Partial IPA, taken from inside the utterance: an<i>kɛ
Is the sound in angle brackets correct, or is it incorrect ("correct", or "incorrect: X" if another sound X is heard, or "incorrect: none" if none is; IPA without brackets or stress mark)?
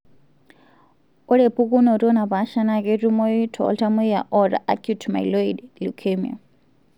incorrect: a